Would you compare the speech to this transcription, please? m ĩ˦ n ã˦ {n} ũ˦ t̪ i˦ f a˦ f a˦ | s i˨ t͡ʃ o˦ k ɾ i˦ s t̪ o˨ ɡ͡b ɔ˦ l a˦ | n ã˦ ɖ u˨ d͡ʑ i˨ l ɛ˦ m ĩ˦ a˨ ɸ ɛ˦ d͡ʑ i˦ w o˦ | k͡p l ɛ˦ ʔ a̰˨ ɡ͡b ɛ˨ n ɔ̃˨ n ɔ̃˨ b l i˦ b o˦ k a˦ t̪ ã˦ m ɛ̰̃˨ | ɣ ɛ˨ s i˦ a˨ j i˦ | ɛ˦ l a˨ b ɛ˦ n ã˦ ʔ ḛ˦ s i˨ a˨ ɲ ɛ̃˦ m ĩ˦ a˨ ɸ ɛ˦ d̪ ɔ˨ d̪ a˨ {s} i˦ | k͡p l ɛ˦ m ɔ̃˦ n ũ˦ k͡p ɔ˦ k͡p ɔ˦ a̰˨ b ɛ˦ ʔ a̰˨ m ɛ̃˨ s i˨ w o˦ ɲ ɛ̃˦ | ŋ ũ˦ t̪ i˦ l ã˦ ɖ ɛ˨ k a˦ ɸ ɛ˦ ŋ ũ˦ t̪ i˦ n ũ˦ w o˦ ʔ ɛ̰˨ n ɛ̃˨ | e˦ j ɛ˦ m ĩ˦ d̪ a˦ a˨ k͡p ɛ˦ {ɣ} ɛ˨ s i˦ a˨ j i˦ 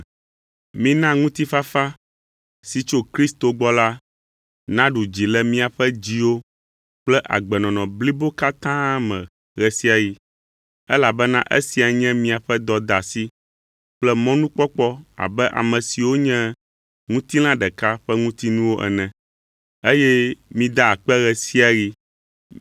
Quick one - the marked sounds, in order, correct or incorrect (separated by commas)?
incorrect, correct, correct